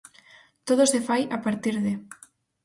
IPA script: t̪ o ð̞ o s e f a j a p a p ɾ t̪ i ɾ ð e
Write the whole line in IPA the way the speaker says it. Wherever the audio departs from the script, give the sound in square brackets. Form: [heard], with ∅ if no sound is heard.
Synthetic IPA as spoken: t̪ o ð̞ o s e f a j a p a [∅] ɾ t̪ i ɾ ð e